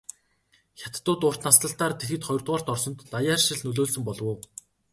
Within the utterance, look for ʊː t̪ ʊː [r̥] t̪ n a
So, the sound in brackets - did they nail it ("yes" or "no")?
yes